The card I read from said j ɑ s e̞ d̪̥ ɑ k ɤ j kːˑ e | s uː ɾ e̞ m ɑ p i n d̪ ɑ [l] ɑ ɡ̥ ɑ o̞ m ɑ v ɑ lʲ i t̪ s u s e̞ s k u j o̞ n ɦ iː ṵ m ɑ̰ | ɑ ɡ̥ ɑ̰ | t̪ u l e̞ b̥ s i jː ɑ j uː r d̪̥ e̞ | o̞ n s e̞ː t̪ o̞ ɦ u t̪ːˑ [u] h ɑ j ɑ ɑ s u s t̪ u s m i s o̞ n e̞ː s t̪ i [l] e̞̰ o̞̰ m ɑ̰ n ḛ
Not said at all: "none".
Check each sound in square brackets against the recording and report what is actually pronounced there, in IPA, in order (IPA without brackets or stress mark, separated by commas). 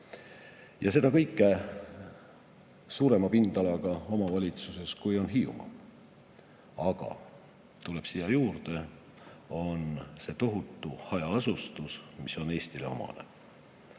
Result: l, u, l